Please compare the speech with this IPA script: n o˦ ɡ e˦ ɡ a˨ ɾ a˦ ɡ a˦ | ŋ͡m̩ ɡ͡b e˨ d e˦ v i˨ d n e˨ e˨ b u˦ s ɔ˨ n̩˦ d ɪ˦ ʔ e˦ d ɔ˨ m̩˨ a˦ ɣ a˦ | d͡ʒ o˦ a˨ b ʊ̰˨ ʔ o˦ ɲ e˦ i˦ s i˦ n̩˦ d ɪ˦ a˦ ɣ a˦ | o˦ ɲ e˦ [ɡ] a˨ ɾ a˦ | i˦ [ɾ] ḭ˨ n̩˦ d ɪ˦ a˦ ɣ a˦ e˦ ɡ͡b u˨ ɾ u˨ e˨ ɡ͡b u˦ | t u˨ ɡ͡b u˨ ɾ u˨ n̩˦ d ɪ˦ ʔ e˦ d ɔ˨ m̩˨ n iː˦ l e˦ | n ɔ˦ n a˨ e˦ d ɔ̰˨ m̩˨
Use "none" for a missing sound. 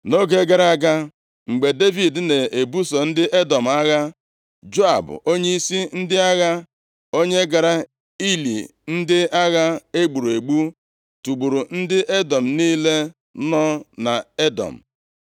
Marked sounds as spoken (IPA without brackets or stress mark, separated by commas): ɡ, l